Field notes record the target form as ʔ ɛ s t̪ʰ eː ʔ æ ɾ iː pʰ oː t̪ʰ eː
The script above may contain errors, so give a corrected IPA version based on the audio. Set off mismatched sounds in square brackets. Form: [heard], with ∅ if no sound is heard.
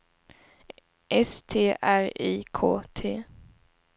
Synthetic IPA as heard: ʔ ɛ s t̪ʰ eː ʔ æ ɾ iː [kʰ] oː t̪ʰ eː